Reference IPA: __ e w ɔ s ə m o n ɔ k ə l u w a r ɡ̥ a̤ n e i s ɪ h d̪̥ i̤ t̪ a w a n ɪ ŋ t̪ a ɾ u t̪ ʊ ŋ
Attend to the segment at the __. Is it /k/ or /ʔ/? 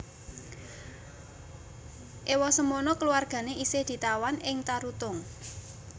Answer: ʔ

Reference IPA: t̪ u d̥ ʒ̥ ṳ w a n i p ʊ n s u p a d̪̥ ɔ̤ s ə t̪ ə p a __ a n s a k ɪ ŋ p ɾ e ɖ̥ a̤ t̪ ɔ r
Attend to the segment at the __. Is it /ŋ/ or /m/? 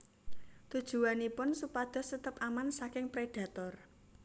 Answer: m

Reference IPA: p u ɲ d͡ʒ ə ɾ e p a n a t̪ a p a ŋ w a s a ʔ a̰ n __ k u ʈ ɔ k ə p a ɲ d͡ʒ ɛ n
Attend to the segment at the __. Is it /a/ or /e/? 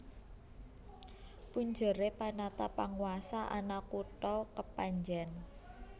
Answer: a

